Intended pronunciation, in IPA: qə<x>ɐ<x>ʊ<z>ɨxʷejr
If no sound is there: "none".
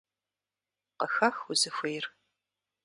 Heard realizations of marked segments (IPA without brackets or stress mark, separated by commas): x, x, z